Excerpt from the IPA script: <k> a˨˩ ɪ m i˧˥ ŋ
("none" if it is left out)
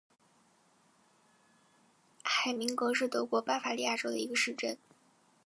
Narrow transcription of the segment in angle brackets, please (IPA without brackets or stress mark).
x